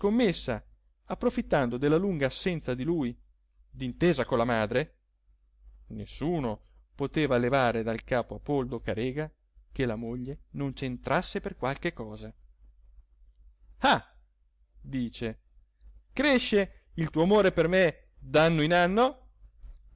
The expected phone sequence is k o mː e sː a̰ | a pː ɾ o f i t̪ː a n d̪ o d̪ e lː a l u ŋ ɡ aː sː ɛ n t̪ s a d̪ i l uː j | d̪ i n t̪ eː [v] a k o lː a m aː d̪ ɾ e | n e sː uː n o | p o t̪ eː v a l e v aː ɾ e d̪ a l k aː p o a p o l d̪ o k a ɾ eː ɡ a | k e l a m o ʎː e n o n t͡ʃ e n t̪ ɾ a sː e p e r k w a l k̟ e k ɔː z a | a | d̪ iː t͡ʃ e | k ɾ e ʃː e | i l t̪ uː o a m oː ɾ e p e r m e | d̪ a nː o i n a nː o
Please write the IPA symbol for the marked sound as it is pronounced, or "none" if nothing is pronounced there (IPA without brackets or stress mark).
z